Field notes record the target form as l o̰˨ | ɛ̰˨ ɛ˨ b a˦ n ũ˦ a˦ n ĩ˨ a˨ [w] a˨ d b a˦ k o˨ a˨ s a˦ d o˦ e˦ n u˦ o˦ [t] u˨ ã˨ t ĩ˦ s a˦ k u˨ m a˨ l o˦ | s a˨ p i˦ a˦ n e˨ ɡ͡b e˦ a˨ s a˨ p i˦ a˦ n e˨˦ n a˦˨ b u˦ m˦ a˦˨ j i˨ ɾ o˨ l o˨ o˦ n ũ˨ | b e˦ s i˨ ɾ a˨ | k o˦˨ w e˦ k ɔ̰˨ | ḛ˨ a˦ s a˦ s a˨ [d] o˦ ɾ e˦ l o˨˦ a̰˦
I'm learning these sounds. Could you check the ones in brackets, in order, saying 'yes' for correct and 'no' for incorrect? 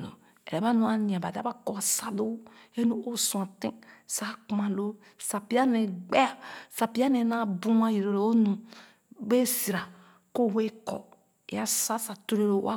no, no, no

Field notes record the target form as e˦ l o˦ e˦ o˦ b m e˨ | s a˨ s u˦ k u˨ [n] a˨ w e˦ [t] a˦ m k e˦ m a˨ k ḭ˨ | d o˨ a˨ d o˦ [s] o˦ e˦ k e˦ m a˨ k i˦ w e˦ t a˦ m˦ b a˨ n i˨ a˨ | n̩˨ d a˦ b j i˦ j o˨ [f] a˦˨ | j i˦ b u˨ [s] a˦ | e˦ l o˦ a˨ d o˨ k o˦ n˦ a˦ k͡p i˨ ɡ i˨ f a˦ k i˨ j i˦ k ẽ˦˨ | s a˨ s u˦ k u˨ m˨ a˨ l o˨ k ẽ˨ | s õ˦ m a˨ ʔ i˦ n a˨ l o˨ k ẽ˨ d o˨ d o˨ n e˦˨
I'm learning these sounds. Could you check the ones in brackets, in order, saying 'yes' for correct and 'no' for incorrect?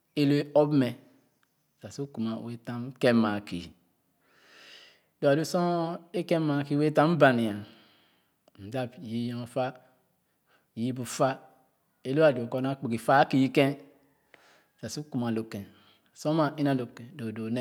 no, yes, yes, yes, no

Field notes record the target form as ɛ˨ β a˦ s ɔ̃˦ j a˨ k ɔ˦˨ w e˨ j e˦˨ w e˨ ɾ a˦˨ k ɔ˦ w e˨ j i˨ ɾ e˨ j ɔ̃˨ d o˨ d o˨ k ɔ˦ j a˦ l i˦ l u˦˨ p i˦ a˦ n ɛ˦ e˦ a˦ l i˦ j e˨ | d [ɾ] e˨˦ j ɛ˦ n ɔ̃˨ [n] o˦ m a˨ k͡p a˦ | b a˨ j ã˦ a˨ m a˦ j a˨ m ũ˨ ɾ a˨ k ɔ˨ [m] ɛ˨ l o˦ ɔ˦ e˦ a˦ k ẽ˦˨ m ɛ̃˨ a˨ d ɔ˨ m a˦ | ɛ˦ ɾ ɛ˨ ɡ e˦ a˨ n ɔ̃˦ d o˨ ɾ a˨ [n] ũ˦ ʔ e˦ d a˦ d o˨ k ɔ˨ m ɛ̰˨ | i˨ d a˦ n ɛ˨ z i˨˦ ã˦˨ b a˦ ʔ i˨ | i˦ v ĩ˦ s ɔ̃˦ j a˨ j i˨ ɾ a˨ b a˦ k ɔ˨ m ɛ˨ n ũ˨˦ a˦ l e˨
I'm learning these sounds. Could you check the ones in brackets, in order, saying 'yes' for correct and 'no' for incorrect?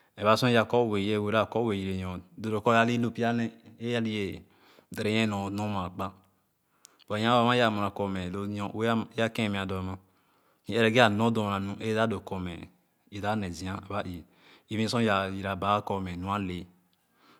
yes, yes, yes, yes

